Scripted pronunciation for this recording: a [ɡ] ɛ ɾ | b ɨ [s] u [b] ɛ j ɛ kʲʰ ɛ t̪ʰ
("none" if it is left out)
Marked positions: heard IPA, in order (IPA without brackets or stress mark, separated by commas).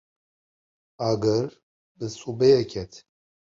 ɡ, s, b